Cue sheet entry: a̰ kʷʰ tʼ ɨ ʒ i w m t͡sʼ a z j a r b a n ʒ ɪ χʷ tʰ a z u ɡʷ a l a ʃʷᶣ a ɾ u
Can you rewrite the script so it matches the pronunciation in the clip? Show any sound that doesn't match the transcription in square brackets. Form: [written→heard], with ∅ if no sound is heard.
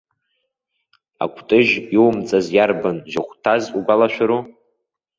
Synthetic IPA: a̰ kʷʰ tʼ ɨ ʒ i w m t͡sʼ a z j a r b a n ʒ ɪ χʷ tʰ a z u ɡʷ a l a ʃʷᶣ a ɾ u

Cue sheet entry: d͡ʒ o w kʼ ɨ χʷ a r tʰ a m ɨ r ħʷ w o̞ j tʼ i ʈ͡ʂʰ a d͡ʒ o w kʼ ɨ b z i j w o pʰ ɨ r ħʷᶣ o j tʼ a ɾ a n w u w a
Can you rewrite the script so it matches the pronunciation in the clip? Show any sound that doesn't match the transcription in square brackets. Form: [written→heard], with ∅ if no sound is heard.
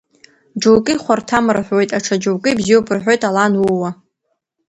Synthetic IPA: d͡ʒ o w kʼ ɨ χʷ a r tʰ a m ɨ r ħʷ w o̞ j tʼ [i→a] ʈ͡ʂʰ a d͡ʒ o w kʼ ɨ b z i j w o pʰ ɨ r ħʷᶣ o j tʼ a [ɾ→l] a n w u w a

